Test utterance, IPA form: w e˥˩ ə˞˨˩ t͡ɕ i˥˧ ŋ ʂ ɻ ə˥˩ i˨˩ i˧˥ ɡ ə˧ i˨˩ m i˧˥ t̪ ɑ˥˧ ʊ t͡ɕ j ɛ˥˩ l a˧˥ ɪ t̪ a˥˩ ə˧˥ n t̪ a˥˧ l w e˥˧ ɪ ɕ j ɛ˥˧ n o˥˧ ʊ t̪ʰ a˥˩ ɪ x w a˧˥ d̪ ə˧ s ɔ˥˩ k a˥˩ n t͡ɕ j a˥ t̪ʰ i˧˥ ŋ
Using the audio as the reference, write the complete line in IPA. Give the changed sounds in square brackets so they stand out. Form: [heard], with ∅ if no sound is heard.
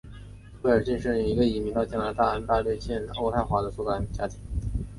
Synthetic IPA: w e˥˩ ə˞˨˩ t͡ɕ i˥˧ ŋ ʂ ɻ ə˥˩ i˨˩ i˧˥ ɡ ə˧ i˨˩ m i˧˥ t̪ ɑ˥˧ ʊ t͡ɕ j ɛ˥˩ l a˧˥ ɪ t̪ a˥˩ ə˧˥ n t̪ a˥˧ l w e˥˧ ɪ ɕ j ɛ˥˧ n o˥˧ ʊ t̪ʰ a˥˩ ɪ x w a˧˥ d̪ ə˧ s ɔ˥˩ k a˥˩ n t͡ɕ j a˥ t̪ʰ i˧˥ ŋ